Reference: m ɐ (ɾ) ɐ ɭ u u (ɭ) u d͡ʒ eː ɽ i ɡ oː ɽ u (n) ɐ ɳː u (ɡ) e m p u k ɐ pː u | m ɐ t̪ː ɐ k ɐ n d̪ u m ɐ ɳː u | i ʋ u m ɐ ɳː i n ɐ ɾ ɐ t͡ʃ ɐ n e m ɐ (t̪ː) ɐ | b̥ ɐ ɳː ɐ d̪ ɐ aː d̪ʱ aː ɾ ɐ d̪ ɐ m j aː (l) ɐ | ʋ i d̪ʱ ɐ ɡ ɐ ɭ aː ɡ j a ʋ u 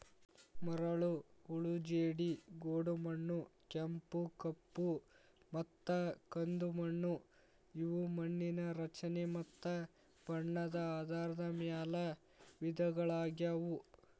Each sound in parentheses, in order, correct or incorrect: correct, correct, incorrect, incorrect, correct, correct

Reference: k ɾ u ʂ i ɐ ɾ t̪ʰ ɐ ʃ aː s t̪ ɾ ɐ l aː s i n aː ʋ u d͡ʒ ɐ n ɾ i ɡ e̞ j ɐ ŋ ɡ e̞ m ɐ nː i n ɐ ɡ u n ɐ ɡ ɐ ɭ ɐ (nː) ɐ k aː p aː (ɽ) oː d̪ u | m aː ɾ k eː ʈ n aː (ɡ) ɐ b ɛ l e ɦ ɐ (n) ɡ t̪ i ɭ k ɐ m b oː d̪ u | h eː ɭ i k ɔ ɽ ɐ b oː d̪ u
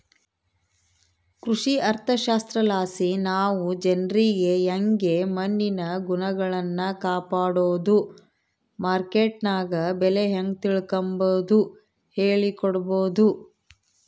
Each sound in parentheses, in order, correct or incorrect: correct, correct, correct, incorrect

